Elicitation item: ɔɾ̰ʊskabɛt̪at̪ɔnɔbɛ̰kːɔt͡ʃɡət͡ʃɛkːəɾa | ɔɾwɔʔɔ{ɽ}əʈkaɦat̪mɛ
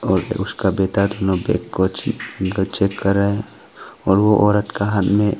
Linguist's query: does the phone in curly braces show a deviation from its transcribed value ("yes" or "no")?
yes